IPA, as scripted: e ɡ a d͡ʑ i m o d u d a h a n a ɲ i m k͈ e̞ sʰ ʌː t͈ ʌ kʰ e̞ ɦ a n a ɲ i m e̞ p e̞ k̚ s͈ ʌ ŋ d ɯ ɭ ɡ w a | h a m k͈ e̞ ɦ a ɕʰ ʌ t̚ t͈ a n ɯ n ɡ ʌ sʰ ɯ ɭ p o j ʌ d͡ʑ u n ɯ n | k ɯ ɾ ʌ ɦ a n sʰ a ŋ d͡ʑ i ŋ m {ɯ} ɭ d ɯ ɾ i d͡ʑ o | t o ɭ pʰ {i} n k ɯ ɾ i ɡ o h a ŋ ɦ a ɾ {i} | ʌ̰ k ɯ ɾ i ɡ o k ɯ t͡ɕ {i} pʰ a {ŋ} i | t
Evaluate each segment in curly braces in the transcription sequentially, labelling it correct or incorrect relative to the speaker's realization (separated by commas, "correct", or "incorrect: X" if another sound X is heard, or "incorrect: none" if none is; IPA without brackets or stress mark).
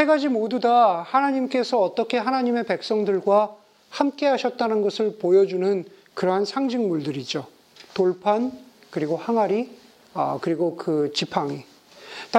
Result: incorrect: u, incorrect: a, correct, correct, correct